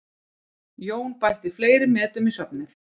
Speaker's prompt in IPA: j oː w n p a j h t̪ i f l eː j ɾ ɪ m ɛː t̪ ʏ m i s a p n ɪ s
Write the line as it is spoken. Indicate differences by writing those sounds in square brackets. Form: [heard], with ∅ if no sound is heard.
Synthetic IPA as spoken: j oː w n p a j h t̪ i f l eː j ɾ ɪ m ɛː t̪ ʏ m i s a p n ɪ [θ]